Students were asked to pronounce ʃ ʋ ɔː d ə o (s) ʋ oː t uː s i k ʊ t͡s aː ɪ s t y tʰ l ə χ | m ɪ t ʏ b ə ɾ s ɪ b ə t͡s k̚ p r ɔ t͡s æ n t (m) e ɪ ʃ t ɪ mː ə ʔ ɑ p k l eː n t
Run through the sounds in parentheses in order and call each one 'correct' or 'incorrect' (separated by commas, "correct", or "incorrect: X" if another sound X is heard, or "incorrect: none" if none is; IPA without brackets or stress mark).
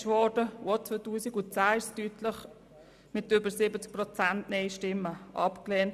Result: incorrect: t͡s, incorrect: n